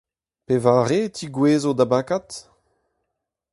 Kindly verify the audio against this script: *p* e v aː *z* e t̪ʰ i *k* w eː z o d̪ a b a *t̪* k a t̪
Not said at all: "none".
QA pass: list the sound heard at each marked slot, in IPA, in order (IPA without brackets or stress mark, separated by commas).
p, ʁ, ɡ, none